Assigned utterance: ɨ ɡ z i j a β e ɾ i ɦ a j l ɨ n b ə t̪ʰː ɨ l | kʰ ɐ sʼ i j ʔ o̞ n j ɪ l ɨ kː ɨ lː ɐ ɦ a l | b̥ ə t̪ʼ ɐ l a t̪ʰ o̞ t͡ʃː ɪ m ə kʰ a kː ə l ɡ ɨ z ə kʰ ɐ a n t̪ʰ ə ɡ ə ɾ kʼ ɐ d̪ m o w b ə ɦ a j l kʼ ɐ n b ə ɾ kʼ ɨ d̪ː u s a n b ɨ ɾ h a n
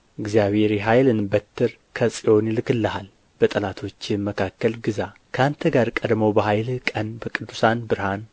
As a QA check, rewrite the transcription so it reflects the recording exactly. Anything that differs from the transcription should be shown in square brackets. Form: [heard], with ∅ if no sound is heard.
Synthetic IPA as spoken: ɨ ɡ z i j a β e ɾ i ɦ a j l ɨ n b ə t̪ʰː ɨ [ɾ] | kʰ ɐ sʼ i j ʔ o̞ n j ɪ l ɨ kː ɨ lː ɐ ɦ a l | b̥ ə t̪ʼ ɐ l a t̪ʰ o̞ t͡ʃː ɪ m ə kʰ a kː ə l ɡ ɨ z [a] kʰ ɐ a n t̪ʰ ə ɡ [a] ɾ kʼ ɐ d̪ m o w b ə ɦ a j l kʼ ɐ n b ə [∅] kʼ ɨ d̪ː u s a n b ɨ ɾ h a n